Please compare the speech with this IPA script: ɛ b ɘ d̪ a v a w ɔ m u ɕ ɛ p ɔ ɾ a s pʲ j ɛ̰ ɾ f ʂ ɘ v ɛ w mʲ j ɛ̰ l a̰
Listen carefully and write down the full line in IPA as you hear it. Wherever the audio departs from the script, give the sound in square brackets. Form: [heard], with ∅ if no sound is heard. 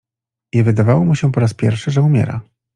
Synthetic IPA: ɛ [v] ɘ d̪ a v a w ɔ m u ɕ ɛ p ɔ ɾ a s pʲ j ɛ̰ ɾ f ʂ ɘ [ʐ] ɛ [u] mʲ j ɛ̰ [ɾ] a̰